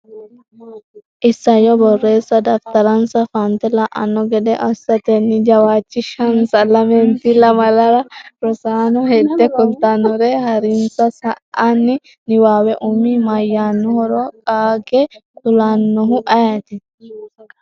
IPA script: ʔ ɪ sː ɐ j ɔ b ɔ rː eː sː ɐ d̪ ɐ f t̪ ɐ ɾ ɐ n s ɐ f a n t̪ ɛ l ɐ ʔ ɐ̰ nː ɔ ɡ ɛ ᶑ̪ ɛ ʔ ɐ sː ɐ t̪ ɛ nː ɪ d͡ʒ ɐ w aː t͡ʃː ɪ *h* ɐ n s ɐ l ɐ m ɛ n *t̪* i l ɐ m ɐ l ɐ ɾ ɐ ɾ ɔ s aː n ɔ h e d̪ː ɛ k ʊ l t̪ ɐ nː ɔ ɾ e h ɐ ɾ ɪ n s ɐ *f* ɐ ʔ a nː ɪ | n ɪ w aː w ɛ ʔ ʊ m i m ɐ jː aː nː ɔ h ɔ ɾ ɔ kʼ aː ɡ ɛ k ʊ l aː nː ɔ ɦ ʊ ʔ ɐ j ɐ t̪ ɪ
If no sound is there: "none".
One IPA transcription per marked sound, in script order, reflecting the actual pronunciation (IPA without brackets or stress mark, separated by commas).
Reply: ʃ, t̪, s